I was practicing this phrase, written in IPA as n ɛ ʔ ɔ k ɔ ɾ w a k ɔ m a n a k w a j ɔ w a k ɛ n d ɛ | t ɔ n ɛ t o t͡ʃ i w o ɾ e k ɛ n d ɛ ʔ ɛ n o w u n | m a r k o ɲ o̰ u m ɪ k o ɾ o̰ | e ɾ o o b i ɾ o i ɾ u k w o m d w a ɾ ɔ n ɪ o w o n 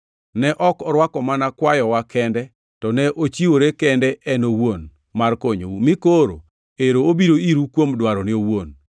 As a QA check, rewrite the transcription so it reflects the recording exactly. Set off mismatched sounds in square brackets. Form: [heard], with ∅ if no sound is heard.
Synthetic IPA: n ɛ ʔ ɔ k ɔ ɾ w a k ɔ m a n a k w a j ɔ w a k ɛ n d ɛ | t ɔ n ɛ [ʔ] o t͡ʃ i w o ɾ e k ɛ n d ɛ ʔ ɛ n o w [o] n | m a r k o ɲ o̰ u m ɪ k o ɾ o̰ | e ɾ o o b i ɾ o i ɾ u k w o m d w a ɾ ɔ n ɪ o w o n